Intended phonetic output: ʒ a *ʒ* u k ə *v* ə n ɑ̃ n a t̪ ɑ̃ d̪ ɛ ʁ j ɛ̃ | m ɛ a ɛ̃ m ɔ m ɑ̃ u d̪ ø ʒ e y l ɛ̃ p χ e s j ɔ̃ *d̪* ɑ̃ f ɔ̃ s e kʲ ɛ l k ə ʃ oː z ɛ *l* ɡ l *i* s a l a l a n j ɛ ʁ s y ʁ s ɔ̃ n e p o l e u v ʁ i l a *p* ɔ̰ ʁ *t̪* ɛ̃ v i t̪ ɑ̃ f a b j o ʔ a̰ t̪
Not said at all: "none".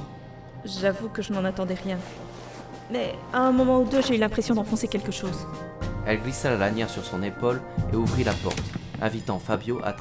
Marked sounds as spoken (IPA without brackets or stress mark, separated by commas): v, ʒ, d̪, l, i, p, t̪